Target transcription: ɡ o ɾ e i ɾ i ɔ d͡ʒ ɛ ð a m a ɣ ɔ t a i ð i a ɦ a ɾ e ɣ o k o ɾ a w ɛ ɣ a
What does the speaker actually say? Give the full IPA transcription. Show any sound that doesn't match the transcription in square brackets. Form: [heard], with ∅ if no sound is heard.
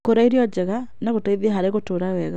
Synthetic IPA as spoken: [k] o ɾ [a] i ɾ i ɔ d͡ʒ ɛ [ɣ] a [n] a ɣ [o] t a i ð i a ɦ a ɾ e ɣ o [t] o ɾ a w ɛ ɣ a